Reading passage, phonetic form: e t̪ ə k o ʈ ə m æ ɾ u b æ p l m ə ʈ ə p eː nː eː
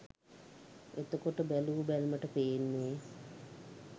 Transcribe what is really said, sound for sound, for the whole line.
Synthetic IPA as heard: e t̪ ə k o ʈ ə b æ l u b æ l m ə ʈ ə p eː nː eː